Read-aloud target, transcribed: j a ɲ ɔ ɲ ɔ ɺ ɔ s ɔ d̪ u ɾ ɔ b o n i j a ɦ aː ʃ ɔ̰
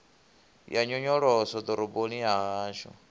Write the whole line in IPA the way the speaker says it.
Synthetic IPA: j a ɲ ɔ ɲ ɔ ɺ ɔ s ɔ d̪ ɔ ɾ ɔ b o n i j a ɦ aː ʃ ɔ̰